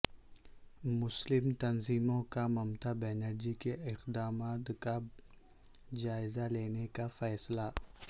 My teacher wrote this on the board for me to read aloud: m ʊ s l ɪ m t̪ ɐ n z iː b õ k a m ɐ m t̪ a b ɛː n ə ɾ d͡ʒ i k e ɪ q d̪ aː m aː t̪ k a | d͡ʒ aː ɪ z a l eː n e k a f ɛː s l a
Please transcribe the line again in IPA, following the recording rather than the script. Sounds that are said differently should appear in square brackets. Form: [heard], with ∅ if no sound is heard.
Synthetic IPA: m ʊ s l ɪ m t̪ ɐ n z iː [m] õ k a m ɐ m t̪ a b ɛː n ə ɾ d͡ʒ i k e ɪ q d̪ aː m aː t̪ k a | d͡ʒ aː ɪ z a l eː n e k a f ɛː s l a